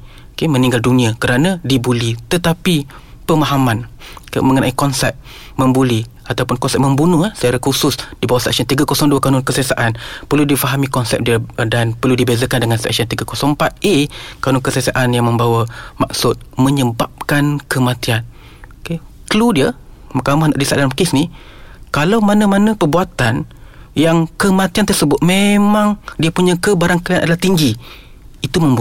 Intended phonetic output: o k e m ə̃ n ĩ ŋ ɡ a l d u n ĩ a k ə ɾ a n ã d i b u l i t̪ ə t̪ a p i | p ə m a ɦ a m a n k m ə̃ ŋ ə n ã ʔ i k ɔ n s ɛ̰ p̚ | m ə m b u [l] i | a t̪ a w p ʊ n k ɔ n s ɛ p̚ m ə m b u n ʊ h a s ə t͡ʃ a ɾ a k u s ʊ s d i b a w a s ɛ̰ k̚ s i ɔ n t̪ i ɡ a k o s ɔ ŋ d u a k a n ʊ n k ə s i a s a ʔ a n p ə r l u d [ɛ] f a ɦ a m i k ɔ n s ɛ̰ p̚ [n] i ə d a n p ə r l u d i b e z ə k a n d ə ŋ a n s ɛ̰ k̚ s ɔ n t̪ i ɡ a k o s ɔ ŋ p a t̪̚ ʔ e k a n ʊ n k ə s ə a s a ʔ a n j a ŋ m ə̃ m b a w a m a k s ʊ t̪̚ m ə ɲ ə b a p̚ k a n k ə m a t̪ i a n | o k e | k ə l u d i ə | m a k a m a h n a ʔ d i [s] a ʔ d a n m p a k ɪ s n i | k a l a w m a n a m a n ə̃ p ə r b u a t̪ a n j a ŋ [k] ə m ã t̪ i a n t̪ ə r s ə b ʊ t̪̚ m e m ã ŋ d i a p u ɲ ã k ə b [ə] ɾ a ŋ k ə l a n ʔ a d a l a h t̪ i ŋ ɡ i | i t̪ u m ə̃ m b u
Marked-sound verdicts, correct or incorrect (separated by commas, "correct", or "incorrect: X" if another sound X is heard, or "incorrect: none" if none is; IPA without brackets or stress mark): correct, incorrect: i, incorrect: d, correct, correct, incorrect: a